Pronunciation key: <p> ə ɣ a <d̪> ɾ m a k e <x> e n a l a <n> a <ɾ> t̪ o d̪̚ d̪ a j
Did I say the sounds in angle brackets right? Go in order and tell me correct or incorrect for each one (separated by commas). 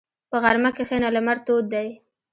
correct, incorrect, correct, incorrect, correct